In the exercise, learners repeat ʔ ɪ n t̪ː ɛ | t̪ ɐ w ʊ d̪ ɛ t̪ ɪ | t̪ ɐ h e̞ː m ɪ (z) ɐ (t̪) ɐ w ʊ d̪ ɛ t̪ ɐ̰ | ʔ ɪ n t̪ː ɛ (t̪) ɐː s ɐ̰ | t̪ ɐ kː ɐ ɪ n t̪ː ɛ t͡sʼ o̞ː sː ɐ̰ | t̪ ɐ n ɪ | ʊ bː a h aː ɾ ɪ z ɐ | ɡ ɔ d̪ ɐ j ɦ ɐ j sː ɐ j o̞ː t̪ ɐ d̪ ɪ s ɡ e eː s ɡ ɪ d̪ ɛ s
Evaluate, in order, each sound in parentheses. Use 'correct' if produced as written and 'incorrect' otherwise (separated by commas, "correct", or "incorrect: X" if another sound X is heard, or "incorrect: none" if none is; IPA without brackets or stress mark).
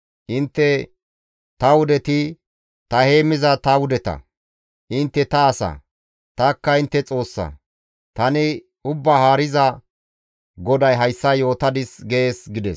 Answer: correct, correct, correct